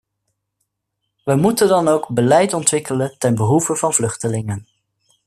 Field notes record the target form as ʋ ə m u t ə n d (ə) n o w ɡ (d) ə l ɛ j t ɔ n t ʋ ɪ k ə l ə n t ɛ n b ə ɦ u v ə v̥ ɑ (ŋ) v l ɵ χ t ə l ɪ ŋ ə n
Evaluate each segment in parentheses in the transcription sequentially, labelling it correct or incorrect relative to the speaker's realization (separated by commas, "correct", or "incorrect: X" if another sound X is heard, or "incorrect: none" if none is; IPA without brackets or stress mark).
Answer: incorrect: ɑ, incorrect: b, incorrect: n